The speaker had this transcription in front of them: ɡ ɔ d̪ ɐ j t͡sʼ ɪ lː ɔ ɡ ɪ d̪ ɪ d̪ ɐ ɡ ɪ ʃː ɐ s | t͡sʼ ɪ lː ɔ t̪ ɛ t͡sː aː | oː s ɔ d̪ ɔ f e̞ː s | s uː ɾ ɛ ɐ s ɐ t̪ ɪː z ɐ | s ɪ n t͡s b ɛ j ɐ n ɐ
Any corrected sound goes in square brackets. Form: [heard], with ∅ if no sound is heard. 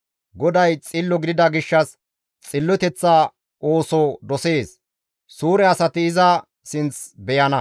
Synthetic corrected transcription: ɡ ɔ d̪ ɐ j t͡sʼ ɪ lː ɔ ɡ ɪ d̪ ɪ d̪ ɐ ɡ ɪ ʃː ɐ s | t͡sʼ ɪ lː ɔ t̪ ɛ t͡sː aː | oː s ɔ d̪ ɔ [s] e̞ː s | s uː ɾ ɛ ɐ s ɐ t̪ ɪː z ɐ | s ɪ n t͡s b ɛ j ɐ n ɐ